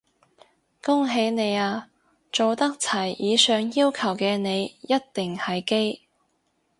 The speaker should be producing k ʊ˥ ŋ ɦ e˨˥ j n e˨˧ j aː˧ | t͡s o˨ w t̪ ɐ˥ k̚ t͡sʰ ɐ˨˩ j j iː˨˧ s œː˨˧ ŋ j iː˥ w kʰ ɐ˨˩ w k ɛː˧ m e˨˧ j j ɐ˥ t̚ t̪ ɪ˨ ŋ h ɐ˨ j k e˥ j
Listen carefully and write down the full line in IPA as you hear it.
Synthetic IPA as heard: k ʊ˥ ŋ ɦ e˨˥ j n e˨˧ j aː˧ | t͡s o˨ w t̪ ɐ˥ k̚ t͡sʰ ɐ˨˩ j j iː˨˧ s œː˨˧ ŋ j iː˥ w kʰ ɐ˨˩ w k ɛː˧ n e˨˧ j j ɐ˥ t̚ t̪ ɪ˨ ŋ h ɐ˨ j k e˥ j